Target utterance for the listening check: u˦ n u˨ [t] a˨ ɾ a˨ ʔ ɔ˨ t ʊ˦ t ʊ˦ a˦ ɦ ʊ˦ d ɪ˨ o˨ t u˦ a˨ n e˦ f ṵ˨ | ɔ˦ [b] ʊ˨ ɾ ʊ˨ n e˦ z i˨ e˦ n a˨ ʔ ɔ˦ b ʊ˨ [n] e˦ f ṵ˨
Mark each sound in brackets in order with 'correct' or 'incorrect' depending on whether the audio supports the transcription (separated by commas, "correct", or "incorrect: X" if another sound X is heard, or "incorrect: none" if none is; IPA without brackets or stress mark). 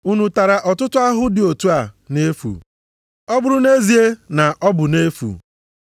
correct, correct, correct